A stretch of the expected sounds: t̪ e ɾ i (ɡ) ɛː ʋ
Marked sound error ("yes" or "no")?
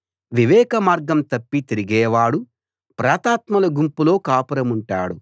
no